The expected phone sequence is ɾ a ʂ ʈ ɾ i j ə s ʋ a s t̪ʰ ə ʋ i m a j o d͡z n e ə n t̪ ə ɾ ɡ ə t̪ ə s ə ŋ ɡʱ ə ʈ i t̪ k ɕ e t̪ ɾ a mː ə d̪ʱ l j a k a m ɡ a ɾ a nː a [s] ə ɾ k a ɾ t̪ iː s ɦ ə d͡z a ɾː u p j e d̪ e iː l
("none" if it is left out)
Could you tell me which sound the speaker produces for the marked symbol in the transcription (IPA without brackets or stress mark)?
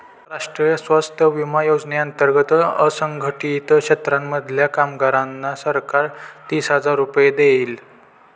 s